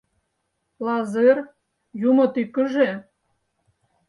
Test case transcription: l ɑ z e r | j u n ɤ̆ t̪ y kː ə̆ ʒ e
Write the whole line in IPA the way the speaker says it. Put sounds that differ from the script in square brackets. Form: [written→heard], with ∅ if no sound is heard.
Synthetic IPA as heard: l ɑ z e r | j u [n→m] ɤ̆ t̪ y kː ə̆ ʒ e